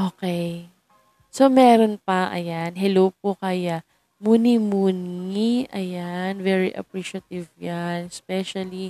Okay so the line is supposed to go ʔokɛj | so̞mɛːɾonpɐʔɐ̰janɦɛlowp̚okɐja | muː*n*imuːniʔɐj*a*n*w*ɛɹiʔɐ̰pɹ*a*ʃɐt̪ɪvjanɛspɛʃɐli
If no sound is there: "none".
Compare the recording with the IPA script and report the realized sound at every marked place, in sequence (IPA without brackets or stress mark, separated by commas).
n, a, v, i